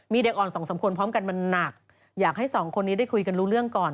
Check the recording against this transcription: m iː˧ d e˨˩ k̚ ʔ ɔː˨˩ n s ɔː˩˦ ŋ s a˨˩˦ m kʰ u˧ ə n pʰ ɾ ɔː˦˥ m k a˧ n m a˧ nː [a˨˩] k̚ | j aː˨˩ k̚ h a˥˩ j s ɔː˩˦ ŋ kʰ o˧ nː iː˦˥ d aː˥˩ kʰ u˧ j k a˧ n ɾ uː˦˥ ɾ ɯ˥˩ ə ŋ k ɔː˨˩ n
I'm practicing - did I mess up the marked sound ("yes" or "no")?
no